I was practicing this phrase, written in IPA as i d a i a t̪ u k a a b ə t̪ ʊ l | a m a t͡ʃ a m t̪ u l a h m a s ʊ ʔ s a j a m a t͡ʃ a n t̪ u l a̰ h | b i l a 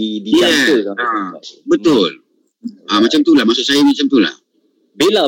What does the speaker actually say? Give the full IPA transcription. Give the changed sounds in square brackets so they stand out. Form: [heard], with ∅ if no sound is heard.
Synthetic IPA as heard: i d [i] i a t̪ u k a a b ə t̪ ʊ l | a m a t͡ʃ a m t̪ u l a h m a s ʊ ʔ s a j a m a t͡ʃ a [m] t̪ u l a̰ h | b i l a